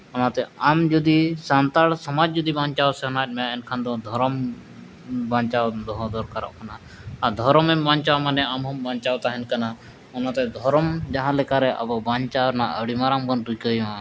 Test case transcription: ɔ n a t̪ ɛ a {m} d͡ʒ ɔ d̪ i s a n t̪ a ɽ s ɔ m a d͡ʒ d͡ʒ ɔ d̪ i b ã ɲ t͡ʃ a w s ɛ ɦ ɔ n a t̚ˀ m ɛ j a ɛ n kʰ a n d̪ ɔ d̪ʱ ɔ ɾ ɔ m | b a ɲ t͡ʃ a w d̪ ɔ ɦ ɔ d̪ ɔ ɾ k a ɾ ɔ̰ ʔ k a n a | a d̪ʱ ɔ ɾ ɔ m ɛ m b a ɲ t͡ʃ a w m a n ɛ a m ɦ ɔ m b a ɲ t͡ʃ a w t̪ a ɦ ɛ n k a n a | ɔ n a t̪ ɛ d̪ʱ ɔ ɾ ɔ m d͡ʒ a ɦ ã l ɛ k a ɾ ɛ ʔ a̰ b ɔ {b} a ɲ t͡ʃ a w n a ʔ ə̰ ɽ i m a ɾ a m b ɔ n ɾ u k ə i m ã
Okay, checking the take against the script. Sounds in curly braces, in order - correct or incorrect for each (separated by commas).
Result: correct, correct